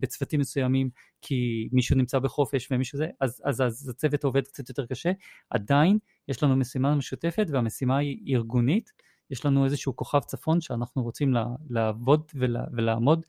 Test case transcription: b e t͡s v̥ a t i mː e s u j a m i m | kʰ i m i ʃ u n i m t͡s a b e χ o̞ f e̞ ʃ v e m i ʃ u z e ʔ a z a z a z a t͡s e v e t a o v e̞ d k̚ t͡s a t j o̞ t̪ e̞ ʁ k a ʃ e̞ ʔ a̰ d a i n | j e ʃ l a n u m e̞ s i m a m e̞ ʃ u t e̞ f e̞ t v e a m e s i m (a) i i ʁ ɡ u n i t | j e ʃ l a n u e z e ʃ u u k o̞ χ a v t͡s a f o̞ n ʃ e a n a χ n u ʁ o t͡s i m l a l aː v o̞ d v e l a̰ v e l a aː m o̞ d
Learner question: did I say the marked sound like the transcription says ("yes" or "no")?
yes